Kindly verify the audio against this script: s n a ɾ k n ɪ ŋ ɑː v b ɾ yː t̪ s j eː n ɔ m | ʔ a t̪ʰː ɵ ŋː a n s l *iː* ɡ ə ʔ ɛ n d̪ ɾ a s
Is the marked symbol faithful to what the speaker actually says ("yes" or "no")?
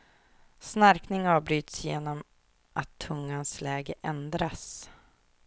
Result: no